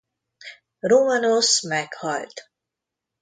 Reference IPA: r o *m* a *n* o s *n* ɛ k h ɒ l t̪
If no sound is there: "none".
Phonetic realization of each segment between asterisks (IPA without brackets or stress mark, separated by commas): m, n, m